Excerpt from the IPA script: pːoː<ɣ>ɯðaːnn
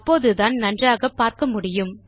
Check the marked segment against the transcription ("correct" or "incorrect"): incorrect